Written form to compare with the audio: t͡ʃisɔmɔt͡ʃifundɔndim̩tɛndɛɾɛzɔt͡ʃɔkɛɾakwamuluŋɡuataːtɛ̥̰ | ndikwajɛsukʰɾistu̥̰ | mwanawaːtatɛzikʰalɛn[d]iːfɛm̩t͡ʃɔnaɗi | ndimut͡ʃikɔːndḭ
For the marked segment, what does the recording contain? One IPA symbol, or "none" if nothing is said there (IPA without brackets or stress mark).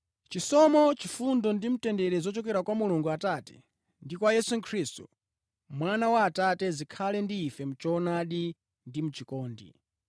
d